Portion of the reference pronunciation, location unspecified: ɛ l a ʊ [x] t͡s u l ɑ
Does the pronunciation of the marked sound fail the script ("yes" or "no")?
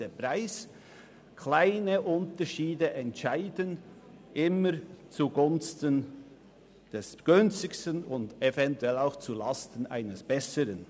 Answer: no